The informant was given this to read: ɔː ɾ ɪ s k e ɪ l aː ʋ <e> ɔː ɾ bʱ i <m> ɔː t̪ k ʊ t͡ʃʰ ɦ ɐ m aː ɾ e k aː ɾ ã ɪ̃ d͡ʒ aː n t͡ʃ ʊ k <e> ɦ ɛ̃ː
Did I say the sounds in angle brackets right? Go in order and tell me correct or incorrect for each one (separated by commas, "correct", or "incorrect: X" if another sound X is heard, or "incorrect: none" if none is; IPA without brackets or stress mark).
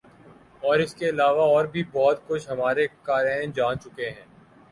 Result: incorrect: a, incorrect: b, correct